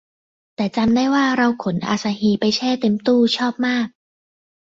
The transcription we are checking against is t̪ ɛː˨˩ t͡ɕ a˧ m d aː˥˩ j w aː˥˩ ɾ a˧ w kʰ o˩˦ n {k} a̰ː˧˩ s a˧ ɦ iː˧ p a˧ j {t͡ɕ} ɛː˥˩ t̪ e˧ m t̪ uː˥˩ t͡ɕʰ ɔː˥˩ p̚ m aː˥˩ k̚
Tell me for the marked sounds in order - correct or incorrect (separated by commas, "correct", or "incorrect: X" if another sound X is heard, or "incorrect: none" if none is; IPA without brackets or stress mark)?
incorrect: ʔ, incorrect: t͡ɕʰ